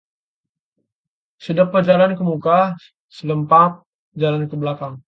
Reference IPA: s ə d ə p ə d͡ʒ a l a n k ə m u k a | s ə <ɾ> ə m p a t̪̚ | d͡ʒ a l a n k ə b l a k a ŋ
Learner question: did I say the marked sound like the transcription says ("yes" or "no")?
no